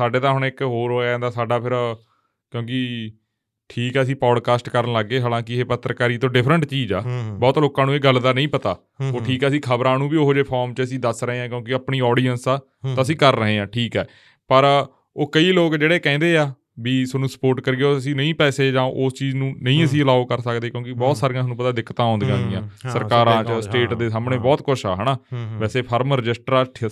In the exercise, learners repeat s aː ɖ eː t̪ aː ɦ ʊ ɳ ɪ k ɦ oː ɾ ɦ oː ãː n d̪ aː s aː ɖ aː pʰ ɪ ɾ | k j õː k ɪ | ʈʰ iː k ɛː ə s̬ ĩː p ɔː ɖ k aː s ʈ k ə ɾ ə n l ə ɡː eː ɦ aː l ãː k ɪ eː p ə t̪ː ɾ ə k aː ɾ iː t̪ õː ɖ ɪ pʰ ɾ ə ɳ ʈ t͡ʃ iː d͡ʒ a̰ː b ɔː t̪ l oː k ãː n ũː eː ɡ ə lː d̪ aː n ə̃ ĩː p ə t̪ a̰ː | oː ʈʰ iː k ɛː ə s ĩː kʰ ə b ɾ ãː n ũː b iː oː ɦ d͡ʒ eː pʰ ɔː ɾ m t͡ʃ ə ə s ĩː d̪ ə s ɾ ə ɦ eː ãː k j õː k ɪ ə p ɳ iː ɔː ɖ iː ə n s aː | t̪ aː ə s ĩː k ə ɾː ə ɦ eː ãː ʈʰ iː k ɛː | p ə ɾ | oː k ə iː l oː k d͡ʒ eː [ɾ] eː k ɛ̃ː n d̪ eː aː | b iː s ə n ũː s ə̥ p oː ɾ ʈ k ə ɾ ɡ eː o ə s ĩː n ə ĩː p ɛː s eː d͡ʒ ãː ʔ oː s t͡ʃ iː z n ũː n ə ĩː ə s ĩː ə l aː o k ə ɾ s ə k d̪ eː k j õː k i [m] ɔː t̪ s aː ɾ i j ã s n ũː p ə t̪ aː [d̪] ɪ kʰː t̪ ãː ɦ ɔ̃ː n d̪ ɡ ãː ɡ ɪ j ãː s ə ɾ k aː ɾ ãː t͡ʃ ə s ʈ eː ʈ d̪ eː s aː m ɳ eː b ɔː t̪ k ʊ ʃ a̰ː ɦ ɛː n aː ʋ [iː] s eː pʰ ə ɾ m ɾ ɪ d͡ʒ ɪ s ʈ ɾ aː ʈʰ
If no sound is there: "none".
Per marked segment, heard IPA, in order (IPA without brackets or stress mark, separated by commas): ɽ, b, d̪, ɛː